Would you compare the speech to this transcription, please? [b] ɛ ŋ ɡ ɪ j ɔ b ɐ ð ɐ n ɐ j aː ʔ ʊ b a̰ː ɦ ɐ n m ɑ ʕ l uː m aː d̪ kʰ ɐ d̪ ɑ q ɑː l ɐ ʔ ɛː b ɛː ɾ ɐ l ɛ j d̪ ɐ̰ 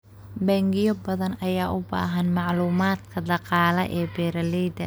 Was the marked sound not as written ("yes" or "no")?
no